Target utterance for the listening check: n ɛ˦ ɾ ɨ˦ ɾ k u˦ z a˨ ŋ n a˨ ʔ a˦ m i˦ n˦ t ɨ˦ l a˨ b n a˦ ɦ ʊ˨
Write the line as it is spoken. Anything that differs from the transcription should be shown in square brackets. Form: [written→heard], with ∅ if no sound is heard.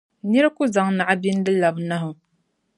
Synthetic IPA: n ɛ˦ ɾ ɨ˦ [ɾ→∅] k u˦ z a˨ ŋ n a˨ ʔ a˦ [m→b] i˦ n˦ [t→d] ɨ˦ l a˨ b n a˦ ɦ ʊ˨